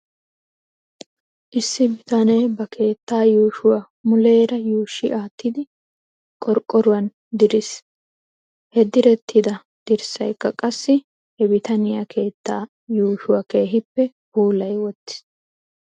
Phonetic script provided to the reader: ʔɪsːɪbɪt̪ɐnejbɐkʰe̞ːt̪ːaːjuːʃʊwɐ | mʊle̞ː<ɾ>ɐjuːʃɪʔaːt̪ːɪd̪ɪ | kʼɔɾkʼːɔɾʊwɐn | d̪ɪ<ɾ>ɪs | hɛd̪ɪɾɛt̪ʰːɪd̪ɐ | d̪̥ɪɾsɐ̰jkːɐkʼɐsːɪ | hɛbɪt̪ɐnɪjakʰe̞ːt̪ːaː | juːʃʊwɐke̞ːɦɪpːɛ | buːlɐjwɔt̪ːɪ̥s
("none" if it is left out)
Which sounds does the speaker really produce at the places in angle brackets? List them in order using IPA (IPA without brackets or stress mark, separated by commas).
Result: ɾ, ɾ